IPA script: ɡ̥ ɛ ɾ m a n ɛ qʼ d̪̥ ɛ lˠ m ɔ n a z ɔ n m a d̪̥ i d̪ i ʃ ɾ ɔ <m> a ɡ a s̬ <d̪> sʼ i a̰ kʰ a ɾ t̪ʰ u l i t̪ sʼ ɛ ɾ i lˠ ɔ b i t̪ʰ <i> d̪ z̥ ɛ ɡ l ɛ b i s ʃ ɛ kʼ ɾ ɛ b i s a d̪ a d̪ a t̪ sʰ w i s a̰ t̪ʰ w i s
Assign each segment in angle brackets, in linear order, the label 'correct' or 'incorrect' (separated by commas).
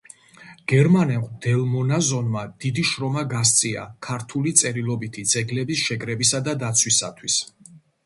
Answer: correct, incorrect, correct